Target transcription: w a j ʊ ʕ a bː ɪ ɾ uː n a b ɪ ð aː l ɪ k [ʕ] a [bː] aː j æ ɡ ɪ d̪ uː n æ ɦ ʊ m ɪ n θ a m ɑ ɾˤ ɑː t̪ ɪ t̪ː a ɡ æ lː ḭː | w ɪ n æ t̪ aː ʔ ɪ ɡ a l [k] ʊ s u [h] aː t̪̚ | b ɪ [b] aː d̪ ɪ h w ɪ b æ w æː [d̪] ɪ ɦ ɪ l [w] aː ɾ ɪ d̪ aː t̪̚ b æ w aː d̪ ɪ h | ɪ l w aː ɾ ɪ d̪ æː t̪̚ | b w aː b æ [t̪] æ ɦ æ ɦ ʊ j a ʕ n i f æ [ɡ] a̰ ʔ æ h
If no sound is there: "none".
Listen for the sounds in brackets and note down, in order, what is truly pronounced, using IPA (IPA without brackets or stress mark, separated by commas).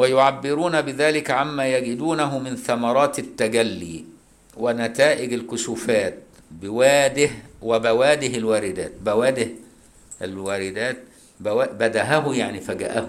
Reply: ʕ, mː, k, f, w, d̪, w, d̪, ɡ